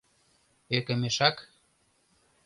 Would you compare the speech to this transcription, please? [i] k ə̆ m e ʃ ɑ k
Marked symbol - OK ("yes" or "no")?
no